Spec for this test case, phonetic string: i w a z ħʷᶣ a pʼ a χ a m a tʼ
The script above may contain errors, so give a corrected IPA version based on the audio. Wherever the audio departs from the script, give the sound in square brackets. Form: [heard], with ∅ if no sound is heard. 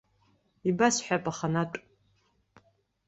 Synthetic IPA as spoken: i [b] a [s] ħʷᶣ a pʼ a χ a [n] a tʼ